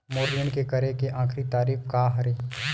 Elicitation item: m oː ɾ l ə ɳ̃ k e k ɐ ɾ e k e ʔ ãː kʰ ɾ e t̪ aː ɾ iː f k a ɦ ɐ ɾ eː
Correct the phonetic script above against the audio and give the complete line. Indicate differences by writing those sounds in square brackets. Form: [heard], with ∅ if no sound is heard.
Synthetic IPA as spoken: m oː ɾ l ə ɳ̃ k e k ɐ ɾ e k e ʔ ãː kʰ ɾ [i] t̪ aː ɾ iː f k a ɦ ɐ ɾ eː